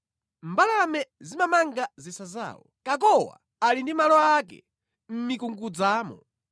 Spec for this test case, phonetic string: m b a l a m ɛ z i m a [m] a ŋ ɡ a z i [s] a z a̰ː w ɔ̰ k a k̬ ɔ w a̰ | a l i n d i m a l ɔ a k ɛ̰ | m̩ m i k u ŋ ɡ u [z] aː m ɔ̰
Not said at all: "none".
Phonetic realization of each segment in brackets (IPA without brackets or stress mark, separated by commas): m, s, d͡z